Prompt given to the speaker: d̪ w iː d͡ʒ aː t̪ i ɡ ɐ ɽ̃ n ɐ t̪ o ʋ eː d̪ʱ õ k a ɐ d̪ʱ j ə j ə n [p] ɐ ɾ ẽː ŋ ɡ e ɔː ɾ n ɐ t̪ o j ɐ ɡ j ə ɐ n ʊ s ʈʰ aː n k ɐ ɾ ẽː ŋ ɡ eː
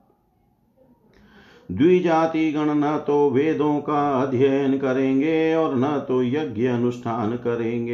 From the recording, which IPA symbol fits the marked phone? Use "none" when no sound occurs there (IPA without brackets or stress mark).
k